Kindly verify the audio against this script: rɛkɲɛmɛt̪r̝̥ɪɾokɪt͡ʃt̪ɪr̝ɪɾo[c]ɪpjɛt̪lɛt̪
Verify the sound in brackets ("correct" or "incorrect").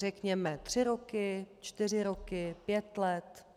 incorrect